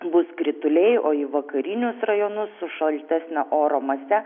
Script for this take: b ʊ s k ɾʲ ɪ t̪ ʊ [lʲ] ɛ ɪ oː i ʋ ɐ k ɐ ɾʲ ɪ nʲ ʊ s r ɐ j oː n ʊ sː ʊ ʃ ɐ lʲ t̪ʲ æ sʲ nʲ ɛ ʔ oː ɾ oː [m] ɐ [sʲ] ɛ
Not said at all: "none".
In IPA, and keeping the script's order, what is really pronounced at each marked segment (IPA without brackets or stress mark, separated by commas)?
lʲ, m, sʲ